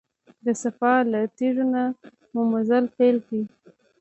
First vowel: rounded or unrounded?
unrounded